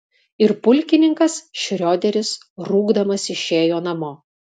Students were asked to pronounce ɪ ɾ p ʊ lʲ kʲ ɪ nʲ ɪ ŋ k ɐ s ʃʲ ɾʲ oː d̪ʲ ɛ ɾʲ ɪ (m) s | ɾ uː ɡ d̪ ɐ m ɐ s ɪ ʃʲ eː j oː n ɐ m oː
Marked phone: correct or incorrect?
incorrect